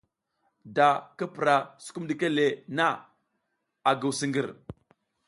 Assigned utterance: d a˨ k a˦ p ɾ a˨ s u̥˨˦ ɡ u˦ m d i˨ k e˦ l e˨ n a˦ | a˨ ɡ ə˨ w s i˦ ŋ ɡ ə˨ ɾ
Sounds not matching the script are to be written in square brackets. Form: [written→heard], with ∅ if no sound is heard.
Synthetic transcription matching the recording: d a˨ k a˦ p ɾ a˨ s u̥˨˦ [ɡ→k] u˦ m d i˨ k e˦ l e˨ n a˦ | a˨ ɡ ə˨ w s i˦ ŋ ɡ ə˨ ɾ